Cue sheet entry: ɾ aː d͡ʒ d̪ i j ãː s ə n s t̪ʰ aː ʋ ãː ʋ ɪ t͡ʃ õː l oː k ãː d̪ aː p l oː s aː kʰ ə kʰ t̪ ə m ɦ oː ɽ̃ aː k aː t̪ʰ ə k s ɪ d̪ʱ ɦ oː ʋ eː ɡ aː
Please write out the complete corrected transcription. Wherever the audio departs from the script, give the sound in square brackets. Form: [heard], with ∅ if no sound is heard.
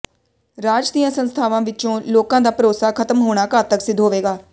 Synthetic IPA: ɾ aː d͡ʒ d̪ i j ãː s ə n s t̪ʰ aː ʋ ãː ʋ ɪ t͡ʃ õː l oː k ãː d̪ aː p [ɾ] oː s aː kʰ ə [∅] t̪ ə m ɦ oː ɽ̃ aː k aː [t̪] ə k s ɪ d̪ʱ ɦ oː ʋ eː ɡ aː

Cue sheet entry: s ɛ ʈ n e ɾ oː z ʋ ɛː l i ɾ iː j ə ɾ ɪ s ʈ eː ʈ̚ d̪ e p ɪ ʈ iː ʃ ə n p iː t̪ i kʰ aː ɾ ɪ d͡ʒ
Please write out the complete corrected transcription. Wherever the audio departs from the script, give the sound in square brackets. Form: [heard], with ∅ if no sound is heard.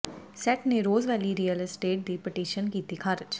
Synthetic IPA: s ɛ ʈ n e ɾ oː z ʋ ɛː l i ɾ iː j ə [l] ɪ s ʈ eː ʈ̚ d̪ [i] p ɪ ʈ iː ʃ ə n [k] iː t̪ i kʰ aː ɾ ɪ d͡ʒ

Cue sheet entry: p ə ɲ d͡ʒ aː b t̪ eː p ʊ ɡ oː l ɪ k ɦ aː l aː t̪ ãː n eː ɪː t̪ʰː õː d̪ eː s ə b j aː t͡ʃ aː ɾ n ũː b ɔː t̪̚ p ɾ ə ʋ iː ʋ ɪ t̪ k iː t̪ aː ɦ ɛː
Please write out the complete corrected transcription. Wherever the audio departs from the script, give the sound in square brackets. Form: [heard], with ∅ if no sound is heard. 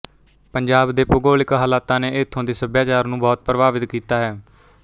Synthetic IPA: p ə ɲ d͡ʒ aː b [d̪] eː p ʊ ɡ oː l ɪ k ɦ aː l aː t̪ ãː n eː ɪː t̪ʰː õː d̪ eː s ə b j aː t͡ʃ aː ɾ n ũː b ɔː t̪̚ p ɾ ə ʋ [aː] ʋ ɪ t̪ k iː t̪ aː ɦ ɛː

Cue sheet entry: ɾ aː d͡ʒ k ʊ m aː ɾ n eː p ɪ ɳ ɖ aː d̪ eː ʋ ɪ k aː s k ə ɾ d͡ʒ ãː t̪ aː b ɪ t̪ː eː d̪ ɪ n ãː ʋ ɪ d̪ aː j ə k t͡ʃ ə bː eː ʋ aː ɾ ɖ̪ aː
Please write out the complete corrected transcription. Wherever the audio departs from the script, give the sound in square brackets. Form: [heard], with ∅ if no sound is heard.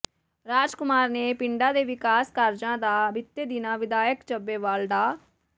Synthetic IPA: ɾ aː d͡ʒ k ʊ m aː ɾ n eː p ɪ ɳ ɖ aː d̪ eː ʋ ɪ k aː s k ə ɾ d͡ʒ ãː [d̪] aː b ɪ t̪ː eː d̪ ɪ n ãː ʋ ɪ d̪ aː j ə k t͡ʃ ə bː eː ʋ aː [l] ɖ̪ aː

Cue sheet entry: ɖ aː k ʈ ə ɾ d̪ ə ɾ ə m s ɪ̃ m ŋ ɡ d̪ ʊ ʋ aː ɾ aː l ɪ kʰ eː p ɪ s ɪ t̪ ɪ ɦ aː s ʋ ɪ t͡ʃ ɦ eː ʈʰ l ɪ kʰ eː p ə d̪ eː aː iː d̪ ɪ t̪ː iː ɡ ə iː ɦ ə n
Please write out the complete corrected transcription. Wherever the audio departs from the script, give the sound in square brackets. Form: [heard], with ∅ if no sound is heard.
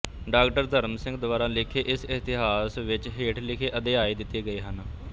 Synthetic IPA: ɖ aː k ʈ ə ɾ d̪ ə ɾ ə m s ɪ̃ [∅] ŋ ɡ d̪ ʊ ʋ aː ɾ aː l ɪ kʰ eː [ʔ] ɪ s ɪ t̪ ɪ ɦ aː s ʋ ɪ t͡ʃ ɦ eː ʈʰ l ɪ kʰ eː [ʔ] ə d̪ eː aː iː d̪ ɪ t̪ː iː ɡ ə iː ɦ ə n

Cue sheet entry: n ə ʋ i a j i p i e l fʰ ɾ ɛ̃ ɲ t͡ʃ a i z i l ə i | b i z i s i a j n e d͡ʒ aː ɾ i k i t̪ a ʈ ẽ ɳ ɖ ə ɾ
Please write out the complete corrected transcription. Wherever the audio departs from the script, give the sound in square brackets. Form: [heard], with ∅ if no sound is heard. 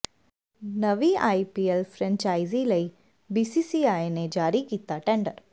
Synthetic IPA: n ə ʋ i a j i p i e l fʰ ɾ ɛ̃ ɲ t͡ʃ a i z i l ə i | b i [s] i s i a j n e d͡ʒ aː ɾ i k i t̪ a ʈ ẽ ɳ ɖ ə ɾ

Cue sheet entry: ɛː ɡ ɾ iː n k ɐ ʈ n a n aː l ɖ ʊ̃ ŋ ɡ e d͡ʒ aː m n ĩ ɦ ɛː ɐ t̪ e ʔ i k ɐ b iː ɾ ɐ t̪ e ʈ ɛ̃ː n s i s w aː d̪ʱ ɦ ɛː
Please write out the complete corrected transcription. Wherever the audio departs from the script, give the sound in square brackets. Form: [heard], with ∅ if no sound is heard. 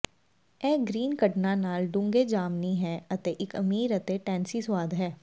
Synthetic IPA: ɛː ɡ ɾ iː n k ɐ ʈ n a n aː l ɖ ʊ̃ ŋ ɡ e d͡ʒ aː m n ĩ ɦ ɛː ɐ t̪ e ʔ [ɪ] k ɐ [m] iː ɾ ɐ t̪ e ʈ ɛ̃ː n s i s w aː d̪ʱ ɦ ɛː

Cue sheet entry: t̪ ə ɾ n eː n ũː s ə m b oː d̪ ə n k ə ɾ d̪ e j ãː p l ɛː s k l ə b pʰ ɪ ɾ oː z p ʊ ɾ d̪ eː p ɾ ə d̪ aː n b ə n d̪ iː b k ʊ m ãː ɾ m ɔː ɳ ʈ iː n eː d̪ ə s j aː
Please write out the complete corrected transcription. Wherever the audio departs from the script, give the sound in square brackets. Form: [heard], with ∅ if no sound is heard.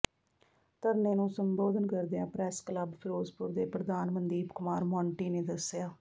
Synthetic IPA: t̪ ə ɾ n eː n ũː s ə m b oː d̪ ə n k ə ɾ d̪ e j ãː p [ɾ] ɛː s k l ə b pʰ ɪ ɾ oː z p ʊ ɾ d̪ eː p ɾ ə d̪ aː n [m] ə n d̪ iː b k ʊ m [aː] ɾ m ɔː ɳ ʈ iː n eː d̪ ə s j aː

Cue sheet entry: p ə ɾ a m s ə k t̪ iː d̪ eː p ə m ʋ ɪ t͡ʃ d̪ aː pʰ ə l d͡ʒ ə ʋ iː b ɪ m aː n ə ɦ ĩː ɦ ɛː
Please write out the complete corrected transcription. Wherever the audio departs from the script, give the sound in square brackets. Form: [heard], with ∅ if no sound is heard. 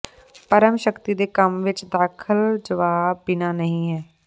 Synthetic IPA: p ə ɾ [ə] m [ʃ] ə k t̪ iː d̪ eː [k] ə m ʋ ɪ t͡ʃ d̪ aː [kʰ] ə l d͡ʒ ə ʋ [aː] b ɪ [n] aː n ə ɦ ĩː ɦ ɛː

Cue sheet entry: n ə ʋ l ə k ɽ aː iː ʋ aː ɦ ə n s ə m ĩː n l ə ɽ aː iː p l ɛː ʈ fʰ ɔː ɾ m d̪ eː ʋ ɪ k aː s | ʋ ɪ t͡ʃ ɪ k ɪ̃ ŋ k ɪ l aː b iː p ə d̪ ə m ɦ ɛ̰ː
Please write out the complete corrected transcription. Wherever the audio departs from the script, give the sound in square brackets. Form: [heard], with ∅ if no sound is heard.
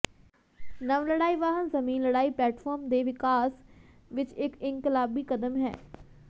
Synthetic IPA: n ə ʋ l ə [∅] ɽ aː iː ʋ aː ɦ ə n [z] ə m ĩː n l ə ɽ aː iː p l ɛː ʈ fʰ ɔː ɾ m d̪ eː ʋ ɪ k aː s | ʋ ɪ t͡ʃ ɪ k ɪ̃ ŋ k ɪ l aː b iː [k] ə d̪ ə m ɦ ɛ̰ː

